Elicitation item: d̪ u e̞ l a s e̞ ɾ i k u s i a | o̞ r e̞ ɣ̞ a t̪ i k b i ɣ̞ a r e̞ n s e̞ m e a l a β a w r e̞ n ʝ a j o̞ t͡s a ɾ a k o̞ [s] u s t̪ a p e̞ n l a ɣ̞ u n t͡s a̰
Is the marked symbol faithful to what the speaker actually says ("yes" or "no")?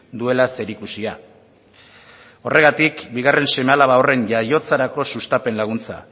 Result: yes